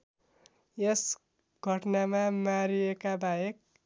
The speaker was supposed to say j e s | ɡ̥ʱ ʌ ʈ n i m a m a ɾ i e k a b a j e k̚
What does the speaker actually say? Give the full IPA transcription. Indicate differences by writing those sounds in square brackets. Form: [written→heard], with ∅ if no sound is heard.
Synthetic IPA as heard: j e s | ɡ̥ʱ ʌ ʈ n [i→a] m a m a ɾ i e k a b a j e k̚